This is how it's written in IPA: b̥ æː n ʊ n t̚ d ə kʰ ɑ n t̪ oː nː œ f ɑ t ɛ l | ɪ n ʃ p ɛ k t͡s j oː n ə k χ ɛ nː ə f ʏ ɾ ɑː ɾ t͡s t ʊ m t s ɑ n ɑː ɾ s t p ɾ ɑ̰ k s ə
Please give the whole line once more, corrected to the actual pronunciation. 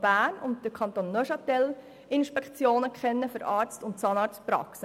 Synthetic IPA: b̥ æː n ʊ n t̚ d ə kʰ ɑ n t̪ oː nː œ ʃ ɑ t ɛ l | ɪ n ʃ p ɛ k t͡s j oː n ə k χ ɛ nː ə f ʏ ɾ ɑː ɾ t͡s t ʊ n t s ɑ n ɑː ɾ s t p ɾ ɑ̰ k s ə